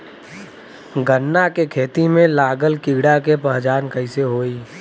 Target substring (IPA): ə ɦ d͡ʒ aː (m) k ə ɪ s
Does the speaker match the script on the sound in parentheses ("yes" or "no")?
no